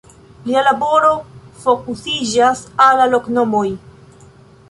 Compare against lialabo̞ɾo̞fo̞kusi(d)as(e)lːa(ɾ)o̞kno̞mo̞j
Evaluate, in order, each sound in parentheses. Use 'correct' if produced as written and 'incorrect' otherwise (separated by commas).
incorrect, incorrect, incorrect